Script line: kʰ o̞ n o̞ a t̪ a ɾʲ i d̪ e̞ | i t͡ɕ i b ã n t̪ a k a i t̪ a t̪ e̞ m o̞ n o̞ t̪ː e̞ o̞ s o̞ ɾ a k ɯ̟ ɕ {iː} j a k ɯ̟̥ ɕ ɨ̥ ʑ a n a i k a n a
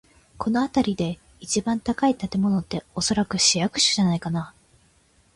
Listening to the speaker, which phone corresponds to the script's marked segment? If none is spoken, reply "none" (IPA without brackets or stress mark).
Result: i